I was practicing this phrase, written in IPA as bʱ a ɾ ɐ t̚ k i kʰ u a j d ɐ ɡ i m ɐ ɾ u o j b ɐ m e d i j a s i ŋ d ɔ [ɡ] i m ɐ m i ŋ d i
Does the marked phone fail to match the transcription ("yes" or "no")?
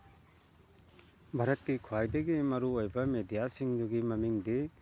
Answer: no